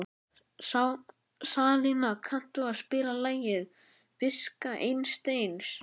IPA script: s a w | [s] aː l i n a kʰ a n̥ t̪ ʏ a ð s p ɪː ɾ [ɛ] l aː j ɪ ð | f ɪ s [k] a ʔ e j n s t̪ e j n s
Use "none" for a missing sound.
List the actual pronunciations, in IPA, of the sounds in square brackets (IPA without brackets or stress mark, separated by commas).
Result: s, a, k